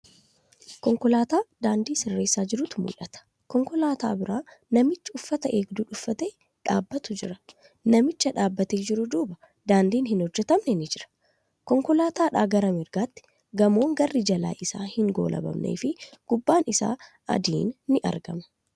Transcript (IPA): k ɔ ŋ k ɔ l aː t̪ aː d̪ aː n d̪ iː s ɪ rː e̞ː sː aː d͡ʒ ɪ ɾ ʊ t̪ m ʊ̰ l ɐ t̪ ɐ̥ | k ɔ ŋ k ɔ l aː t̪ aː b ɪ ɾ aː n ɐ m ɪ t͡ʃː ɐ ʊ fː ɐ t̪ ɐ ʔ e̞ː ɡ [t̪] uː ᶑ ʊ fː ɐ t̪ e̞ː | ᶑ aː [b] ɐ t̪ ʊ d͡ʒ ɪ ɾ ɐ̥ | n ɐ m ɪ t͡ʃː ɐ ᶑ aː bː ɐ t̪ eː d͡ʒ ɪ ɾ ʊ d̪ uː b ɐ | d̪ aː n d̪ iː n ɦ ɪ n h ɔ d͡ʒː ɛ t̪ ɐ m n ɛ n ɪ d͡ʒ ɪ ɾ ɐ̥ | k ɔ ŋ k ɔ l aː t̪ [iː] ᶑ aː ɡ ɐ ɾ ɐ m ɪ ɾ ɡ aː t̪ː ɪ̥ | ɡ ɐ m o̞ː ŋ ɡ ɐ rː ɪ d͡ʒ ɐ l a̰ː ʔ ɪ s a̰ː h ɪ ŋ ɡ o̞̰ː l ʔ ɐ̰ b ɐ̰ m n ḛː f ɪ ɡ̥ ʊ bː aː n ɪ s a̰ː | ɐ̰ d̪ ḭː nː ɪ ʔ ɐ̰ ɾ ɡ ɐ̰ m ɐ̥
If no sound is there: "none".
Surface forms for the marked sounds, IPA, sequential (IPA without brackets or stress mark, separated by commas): d̪, bː, aː